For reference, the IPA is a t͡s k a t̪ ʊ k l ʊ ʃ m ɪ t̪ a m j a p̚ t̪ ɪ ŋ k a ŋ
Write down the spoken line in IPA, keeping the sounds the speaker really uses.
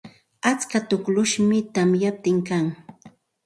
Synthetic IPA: a t͡s k a t̪ ʊ k l ʊ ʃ m ɪ t̪ a m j a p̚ t̪ ɪ ŋ k a ŋ